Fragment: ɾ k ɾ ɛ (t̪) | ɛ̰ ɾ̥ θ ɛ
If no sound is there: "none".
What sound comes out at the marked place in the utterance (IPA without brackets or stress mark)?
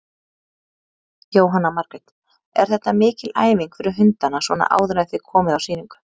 t̪